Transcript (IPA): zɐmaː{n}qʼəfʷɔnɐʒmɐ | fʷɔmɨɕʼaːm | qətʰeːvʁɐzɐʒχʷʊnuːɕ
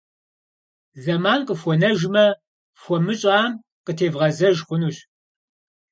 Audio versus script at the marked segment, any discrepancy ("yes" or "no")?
no